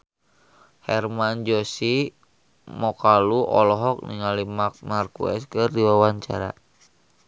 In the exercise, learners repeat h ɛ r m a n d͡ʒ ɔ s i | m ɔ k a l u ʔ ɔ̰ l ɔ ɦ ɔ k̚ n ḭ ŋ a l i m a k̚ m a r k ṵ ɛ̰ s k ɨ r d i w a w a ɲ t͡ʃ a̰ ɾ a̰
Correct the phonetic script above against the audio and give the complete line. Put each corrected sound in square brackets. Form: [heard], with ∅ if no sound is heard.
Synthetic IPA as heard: h ɛ r m a n d͡ʒ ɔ s i | m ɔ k a l u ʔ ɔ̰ l ɔ ɦ ɔ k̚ n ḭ ŋ a l i m a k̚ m a r k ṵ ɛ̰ s k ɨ r d i w a w a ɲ t͡ʃ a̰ ɾ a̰